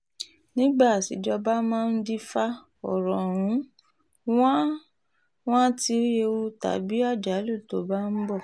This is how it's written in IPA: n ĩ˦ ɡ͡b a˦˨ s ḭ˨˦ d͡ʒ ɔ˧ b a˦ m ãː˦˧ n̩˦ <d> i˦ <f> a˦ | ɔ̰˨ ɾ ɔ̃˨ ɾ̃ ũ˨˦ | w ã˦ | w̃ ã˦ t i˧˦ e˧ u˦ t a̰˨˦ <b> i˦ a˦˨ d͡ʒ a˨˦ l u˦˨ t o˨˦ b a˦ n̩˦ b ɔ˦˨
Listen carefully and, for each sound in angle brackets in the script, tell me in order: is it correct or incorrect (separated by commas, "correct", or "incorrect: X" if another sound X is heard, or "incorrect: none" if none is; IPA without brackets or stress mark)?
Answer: correct, correct, correct